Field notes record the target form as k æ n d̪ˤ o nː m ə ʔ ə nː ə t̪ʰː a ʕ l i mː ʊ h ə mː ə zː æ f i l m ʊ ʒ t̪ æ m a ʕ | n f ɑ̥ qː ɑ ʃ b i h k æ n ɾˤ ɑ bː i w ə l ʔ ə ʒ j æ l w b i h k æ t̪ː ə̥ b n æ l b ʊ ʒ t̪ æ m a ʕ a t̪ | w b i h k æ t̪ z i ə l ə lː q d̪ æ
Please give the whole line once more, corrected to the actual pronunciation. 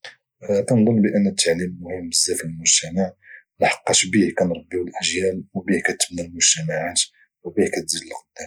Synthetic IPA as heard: k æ n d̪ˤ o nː b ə ʔ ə nː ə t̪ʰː a ʕ l i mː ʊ h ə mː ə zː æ f i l m ʊ ʒ t̪ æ m a ʕ | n ħ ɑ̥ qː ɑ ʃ b i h k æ n ɾˤ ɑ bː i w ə l ʔ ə ʒ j æ l w b i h k æ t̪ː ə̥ b n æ l m ʊ ʒ t̪ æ m a ʕ a t̪ | w b i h k æ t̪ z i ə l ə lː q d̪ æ